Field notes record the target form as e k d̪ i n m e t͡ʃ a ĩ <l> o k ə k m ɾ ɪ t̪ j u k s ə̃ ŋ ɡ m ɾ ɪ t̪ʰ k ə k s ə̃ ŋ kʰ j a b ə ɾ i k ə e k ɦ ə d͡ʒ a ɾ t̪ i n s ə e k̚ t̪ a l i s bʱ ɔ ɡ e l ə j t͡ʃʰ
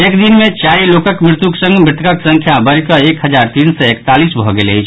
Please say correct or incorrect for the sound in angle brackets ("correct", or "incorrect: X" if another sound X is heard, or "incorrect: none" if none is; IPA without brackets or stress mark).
correct